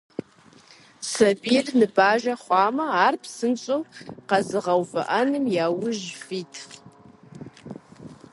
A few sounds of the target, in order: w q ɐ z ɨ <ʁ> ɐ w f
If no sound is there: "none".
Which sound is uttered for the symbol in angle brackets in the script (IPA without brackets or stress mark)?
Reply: ʁ